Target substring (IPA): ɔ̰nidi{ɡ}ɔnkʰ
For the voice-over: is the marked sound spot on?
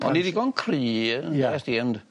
yes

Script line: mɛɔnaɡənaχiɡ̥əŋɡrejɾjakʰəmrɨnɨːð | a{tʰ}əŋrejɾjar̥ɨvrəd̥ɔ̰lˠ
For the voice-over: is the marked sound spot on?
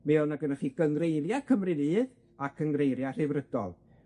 no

